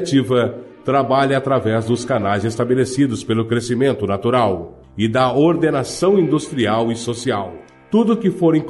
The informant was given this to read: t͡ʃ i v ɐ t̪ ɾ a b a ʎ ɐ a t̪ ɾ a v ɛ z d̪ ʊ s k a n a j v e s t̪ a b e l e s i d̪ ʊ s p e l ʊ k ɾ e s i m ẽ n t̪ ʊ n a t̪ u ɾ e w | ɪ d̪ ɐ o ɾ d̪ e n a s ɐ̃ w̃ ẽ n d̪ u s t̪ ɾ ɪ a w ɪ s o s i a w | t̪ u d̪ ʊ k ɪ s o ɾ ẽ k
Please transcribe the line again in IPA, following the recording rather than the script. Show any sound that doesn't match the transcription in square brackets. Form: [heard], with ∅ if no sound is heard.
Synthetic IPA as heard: t͡ʃ i v ɐ t̪ ɾ a b a ʎ ɐ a t̪ ɾ a v ɛ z d̪ ʊ s k a n a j [z] e s t̪ a b e l e s i d̪ ʊ s p e l ʊ k ɾ e s i m ẽ n t̪ ʊ n a t̪ u ɾ [a] w | ɪ d̪ ɐ o ɾ d̪ e n a s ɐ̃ w̃ [ĩ] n d̪ u s t̪ ɾ [i] a w ɪ s o s i a w | t̪ u d̪ ʊ k ɪ [f] o ɾ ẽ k